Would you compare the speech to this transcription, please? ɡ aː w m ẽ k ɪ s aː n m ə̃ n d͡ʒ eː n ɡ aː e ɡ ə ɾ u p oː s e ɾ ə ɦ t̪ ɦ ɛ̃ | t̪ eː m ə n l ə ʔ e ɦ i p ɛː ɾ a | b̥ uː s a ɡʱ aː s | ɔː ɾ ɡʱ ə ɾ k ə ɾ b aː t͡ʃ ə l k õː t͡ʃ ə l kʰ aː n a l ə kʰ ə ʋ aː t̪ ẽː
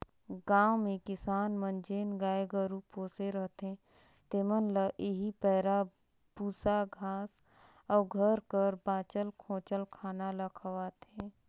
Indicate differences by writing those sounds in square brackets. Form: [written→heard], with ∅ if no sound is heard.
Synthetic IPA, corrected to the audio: ɡ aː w m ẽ k ɪ s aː n m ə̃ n d͡ʒ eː n ɡ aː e ɡ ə ɾ u p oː s e ɾ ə ɦ t̪ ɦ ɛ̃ | t̪ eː m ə n l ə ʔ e ɦ i p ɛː ɾ a | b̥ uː s a ɡʱ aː s | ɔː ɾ ɡʱ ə ɾ k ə ɾ b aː t͡ʃ ə l [k→kʰ] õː t͡ʃ ə l kʰ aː n a l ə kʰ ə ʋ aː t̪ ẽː